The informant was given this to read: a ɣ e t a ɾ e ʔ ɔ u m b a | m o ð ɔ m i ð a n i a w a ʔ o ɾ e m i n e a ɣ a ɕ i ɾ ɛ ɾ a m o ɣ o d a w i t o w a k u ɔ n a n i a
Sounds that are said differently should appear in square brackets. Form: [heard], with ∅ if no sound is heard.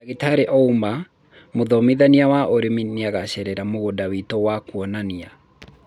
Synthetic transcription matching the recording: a ɣ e t a ɾ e ʔ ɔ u m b a | m o ð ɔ m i ð a n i a w a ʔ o ɾ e m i n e a ɣ a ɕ [ɛ] ɾ ɛ ɾ a m o ɣ o d a w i t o w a k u ɔ n a n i a